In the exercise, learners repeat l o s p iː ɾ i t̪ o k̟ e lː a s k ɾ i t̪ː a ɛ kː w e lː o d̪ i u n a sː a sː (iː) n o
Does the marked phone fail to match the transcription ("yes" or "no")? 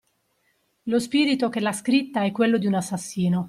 no